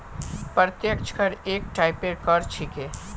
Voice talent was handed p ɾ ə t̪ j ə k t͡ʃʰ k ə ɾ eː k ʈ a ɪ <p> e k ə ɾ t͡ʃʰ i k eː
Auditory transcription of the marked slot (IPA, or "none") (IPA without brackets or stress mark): p